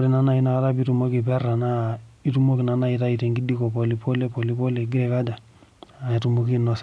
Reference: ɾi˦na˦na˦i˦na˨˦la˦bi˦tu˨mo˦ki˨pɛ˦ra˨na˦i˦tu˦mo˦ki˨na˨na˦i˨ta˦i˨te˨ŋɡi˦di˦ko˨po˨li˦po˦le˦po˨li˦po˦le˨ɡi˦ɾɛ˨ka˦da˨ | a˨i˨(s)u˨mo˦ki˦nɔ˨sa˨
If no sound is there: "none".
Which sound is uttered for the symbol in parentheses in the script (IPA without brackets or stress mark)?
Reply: t